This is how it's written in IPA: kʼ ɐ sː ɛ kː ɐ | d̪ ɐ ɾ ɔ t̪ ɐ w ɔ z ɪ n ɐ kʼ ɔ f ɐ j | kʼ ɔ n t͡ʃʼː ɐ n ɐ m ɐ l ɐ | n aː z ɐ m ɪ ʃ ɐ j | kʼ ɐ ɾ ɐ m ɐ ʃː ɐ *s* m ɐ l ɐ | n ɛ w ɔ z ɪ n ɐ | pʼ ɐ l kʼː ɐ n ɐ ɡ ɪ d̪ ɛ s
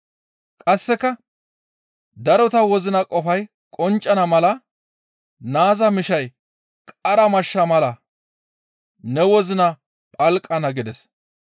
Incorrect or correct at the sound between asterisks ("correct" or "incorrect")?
incorrect